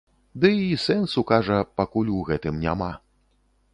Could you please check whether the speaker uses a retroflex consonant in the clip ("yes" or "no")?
yes